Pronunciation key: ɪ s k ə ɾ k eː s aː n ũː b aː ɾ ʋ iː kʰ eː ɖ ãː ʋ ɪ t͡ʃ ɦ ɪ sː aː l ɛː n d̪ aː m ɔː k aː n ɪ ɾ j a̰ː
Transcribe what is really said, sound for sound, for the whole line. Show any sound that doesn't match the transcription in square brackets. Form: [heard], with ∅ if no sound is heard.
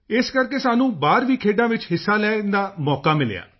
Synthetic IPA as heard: ɪ s k ə ɾ k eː s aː n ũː b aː ɾ ʋ iː kʰ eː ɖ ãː ʋ ɪ t͡ʃ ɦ ɪ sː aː l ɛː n d̪ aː m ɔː k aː [m] ɪ [l] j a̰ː